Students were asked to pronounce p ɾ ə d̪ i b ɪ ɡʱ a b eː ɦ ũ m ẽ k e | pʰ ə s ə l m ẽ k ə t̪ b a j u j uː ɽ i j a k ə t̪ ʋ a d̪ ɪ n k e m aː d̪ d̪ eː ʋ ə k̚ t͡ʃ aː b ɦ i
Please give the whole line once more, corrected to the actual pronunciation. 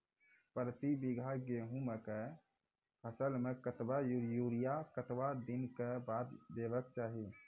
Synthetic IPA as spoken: p ɾ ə t̪ i b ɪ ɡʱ a ɡ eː ɦ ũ m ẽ k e | pʰ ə s ə l m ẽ k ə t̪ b a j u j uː ɾ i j a k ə t̪ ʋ a d̪ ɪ n k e b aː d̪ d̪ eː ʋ ə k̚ t͡ʃ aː ɦ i